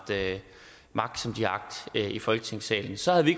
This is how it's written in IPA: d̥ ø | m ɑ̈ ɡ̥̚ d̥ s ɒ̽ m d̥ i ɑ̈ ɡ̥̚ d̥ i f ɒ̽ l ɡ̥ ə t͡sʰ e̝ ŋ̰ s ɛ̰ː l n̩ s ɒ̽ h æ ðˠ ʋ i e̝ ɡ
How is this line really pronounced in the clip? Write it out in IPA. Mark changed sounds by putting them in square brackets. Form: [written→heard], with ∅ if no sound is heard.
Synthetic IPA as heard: d̥ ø | m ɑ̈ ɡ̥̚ d̥ s ɒ̽ m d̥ i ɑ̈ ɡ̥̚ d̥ i f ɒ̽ l ɡ̥ ə t͡sʰ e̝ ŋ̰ s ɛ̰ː l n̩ s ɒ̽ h æ ðˠ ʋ i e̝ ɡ